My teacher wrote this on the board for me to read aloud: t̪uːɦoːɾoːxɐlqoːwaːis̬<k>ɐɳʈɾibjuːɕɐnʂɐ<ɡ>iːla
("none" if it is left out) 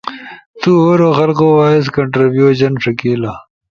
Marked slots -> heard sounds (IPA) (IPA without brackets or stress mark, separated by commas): k, k